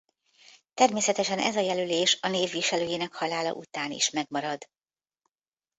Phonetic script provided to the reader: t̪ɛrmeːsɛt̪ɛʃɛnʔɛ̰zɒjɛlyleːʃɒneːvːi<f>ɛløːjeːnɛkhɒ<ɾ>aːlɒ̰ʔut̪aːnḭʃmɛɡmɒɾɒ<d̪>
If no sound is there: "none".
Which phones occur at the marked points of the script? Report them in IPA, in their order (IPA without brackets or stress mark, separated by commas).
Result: ʃ, l, d̪